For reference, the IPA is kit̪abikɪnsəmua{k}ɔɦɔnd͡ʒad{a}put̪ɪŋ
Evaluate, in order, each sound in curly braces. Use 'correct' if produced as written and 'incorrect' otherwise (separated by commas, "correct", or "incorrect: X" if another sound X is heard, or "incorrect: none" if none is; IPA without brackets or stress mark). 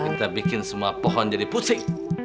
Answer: incorrect: p, incorrect: i